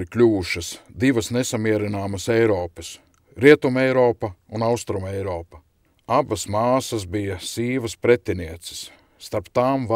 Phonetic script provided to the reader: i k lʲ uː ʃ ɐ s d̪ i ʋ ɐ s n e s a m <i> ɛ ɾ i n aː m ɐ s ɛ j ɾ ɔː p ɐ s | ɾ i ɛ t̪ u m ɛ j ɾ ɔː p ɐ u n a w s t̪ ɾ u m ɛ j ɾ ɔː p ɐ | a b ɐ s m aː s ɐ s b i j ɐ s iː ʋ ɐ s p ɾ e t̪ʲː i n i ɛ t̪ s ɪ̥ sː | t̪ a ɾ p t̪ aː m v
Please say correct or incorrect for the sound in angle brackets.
correct